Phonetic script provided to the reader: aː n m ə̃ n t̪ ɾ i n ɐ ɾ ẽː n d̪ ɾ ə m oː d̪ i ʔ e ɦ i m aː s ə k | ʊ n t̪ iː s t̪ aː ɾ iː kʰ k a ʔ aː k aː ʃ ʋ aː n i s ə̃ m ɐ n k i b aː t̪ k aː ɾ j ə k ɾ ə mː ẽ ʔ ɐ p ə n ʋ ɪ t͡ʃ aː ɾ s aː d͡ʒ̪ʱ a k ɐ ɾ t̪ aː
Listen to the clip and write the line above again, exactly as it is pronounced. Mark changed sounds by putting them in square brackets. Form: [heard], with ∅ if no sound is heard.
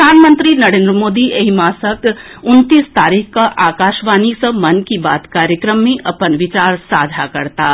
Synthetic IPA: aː n m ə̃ n t̪ ɾ i n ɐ ɾ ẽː n d̪ ɾ ə m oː d̪ i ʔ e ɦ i m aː s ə k | ʊ n t̪ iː s t̪ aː ɾ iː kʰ k a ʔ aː k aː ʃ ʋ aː n i s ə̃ m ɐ n k i b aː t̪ k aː ɾ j ə k ɾ ə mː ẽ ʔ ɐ p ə n ʋ ɪ t͡ʃ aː ɾ s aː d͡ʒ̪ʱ a k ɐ ɾ t̪ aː